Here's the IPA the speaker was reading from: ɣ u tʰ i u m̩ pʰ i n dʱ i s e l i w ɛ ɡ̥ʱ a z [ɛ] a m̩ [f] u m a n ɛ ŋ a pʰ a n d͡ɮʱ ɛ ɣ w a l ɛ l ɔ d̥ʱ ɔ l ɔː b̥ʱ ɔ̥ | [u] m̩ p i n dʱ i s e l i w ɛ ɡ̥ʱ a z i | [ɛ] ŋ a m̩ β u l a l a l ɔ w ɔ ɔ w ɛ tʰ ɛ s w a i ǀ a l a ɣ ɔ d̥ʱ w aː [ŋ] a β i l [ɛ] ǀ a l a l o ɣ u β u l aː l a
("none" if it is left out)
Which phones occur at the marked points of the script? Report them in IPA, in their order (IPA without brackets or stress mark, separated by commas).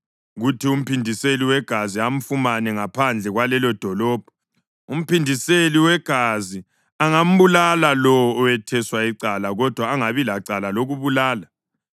i, f, u, a, ŋ, a